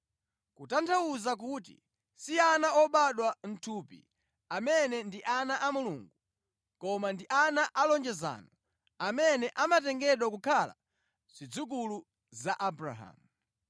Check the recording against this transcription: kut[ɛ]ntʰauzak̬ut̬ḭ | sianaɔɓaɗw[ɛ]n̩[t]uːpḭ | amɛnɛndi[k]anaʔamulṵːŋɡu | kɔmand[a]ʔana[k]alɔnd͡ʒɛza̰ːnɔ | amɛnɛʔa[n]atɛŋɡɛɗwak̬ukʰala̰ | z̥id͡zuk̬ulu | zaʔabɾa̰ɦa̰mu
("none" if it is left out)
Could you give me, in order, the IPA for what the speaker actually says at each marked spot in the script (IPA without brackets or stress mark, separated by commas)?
a, a, tʰ, ʔ, i, ʔ, m